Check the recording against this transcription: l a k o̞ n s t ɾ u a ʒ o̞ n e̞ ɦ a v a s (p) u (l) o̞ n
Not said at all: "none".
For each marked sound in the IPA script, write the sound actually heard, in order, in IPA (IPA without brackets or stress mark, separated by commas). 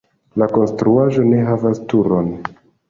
t, ɾ